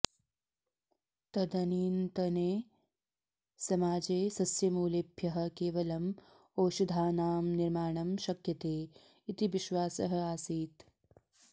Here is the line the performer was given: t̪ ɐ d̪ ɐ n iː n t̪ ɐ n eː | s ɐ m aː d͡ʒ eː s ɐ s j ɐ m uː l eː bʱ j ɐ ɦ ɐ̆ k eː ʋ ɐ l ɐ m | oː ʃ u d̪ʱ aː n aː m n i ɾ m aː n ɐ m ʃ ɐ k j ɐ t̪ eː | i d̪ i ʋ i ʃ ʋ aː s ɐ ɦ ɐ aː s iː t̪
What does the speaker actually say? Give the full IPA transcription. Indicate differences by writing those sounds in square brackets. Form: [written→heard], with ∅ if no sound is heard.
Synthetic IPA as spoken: t̪ ɐ d̪ ɐ n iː n t̪ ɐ n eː | s ɐ m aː d͡ʒ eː s ɐ s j ɐ m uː l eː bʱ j ɐ ɦ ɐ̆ k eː ʋ ɐ l ɐ m | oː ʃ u d̪ʱ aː n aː m n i ɾ m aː [n→ɳ] ɐ m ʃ ɐ k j ɐ t̪ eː | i [d̪→t̪] i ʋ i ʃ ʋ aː s ɐ ɦ ɐ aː s iː t̪